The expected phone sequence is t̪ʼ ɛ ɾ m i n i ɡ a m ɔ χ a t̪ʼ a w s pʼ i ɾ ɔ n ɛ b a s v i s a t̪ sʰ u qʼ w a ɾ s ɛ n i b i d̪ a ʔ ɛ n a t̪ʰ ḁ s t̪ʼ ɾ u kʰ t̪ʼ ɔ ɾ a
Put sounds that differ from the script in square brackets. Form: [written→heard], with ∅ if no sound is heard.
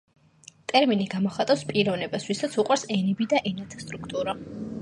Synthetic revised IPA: t̪ʼ ɛ ɾ m i n i ɡ a m ɔ χ a t̪ʼ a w s pʼ i ɾ ɔ n ɛ b a s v i s a t̪ sʰ u qʼ w a ɾ s ɛ n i b i d̪ a ʔ ɛ n a t̪ʰ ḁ s t̪ʼ ɾ u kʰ t̪ʼ [ɔ→u] ɾ a